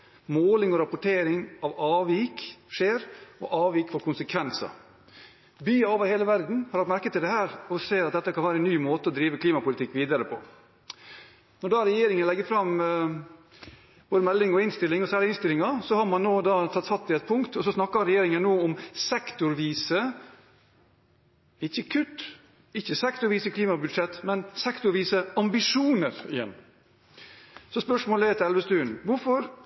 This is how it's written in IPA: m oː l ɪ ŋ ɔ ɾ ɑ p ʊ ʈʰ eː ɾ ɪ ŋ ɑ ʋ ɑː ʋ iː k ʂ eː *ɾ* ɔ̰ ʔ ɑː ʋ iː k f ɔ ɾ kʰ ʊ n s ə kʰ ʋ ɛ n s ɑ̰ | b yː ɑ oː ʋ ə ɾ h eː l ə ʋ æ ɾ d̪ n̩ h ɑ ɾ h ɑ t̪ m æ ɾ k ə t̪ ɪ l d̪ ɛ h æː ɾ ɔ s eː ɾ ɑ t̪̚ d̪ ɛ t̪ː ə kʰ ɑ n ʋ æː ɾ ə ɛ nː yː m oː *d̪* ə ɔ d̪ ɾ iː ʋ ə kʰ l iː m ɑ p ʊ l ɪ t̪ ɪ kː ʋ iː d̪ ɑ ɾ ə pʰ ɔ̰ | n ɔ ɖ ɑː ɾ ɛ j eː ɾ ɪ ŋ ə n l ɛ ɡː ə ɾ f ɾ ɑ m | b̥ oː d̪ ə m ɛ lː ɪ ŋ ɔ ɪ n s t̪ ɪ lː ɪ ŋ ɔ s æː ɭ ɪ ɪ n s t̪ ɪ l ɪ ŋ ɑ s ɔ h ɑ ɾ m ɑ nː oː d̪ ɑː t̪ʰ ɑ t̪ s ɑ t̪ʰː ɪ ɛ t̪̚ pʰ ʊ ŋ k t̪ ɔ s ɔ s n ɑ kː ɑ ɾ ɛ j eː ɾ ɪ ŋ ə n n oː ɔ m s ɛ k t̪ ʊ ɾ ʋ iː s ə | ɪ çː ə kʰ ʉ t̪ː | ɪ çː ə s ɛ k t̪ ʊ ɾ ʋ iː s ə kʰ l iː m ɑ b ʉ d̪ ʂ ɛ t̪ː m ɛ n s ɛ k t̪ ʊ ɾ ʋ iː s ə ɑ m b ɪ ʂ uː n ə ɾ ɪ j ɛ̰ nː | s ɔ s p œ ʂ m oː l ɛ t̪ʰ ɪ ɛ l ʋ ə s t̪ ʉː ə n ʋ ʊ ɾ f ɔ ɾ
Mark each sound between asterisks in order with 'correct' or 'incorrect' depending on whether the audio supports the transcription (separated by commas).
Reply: correct, incorrect